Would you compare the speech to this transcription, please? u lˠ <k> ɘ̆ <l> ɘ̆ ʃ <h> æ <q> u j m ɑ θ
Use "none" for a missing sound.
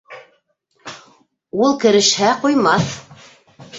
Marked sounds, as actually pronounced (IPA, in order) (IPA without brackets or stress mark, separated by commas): k, ɾ, h, q